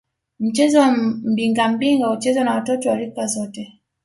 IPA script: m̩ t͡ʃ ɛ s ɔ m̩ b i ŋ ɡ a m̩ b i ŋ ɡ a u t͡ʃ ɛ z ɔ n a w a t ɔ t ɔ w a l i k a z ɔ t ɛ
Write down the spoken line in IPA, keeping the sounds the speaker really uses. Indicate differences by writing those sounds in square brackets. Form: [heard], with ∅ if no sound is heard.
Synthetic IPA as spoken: m̩ t͡ʃ ɛ [z] ɔ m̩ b i ŋ ɡ a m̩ b i ŋ ɡ a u t͡ʃ ɛ z ɔ n a w a t ɔ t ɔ w a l i k a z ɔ t ɛ